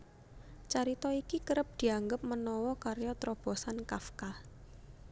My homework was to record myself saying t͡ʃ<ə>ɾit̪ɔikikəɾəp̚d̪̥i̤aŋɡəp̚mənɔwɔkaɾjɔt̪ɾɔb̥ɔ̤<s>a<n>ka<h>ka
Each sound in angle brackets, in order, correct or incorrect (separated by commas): incorrect, correct, correct, incorrect